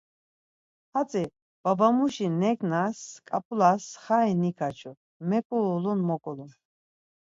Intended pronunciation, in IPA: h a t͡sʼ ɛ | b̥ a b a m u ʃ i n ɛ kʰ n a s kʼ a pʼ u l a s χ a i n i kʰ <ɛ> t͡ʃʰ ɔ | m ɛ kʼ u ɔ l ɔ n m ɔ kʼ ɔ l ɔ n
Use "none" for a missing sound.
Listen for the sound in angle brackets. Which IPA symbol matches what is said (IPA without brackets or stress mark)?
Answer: a